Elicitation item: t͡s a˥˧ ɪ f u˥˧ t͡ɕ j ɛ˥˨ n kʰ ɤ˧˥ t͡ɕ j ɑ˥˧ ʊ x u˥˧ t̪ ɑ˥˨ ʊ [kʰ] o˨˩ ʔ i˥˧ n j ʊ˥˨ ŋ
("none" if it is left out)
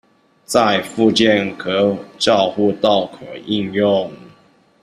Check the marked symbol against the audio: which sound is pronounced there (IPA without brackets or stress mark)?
kʰ